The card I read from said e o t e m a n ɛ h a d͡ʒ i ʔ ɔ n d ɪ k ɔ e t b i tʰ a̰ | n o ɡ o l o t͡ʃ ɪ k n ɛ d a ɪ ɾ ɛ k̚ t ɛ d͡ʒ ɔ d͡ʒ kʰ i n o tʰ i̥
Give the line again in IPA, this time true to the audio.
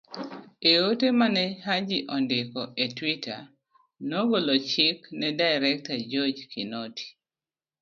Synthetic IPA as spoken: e o t e m a n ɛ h a d͡ʒ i ʔ ɔ n d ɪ k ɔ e t w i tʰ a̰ | n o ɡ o l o t͡ʃ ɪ k n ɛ d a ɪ ɾ ɛ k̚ t a d͡ʒ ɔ d͡ʒ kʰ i n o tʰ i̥